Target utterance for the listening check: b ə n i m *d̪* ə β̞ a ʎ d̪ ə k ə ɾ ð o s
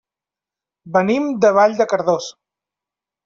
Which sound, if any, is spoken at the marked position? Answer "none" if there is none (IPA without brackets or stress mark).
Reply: d̪